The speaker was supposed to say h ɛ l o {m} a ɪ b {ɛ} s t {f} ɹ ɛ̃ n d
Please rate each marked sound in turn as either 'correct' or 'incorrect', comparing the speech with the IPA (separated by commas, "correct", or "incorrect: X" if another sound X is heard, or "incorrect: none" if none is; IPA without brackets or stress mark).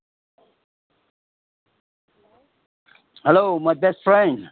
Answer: correct, correct, correct